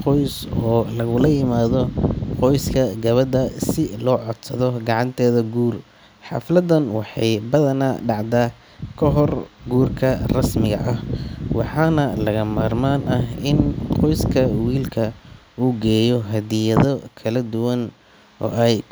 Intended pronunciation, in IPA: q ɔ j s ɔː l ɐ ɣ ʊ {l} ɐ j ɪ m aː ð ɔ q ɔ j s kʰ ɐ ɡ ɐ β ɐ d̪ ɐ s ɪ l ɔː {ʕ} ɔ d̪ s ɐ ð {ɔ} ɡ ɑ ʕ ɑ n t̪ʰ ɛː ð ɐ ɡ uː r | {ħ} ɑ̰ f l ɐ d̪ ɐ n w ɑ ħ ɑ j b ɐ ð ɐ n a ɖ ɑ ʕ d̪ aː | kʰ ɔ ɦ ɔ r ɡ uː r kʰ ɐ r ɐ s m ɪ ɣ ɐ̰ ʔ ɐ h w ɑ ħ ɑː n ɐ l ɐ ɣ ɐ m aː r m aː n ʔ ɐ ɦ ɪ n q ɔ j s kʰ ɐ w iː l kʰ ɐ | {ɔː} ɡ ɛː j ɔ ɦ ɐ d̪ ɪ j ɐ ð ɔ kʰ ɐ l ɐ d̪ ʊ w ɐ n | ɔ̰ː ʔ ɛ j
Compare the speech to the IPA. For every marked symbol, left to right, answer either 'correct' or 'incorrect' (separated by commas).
correct, correct, correct, correct, incorrect